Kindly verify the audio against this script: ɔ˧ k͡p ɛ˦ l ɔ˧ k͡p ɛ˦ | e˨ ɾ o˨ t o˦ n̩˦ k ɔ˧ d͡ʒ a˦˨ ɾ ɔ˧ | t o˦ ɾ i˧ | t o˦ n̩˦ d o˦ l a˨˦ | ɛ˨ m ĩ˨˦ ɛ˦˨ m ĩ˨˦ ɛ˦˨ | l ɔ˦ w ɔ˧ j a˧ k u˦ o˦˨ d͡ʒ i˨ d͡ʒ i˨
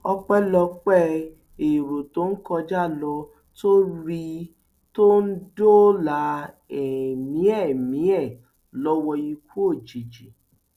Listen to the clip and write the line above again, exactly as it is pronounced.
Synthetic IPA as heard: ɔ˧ k͡p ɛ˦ l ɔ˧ k͡p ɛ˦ | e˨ ɾ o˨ t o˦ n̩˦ k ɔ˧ d͡ʒ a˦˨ l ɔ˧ | t o˦ ɾ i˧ | t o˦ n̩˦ d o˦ l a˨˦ | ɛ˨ m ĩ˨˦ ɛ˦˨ m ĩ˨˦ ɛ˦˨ | l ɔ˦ w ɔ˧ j i˧ k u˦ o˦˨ d͡ʒ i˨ d͡ʒ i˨